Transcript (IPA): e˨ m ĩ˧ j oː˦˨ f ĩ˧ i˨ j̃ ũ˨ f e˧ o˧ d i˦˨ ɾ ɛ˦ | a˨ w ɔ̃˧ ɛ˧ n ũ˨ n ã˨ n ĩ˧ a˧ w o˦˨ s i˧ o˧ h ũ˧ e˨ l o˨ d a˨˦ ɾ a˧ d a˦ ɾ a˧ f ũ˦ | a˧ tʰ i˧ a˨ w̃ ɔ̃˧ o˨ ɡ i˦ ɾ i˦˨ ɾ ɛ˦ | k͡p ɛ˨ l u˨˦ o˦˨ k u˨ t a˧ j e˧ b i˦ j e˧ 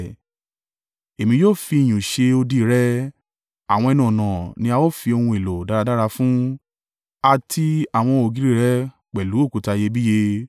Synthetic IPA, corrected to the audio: e˨ m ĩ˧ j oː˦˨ f i˧ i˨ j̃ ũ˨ ʃ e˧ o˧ d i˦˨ ɾ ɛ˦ | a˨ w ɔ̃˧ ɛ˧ n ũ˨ n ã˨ n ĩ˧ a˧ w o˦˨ f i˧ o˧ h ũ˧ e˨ l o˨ d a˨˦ ɾ a˧ d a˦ ɾ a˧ f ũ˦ | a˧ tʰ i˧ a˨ w̃ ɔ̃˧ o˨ ɡ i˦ ɾ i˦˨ ɾ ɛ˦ | k͡p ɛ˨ l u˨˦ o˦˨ k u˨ t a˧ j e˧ b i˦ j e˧